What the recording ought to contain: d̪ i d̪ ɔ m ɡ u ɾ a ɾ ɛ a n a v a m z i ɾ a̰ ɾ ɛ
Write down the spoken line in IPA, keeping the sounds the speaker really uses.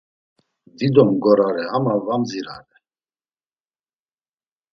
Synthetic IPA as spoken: d̪ i d̪ ɔ m ɡ ɔ ɾ a ɾ ɛ a m a v a m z i ɾ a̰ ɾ ɛ